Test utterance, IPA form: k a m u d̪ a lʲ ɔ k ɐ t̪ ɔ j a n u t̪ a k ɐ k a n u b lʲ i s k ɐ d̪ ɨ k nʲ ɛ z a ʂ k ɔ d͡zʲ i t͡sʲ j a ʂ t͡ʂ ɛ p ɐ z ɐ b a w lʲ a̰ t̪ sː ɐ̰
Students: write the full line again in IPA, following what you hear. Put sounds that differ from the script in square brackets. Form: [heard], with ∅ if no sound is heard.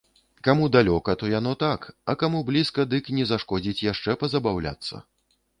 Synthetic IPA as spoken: k a m u d̪ a lʲ ɔ k ɐ t̪ ɔ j a n [ɔ] t̪ a k ɐ k a [m] u b lʲ i s k ɐ d̪ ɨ k nʲ ɛ z a ʂ k ɔ d͡zʲ i t͡sʲ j a ʂ t͡ʂ ɛ p ɐ z ɐ b a w lʲ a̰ t̪ sː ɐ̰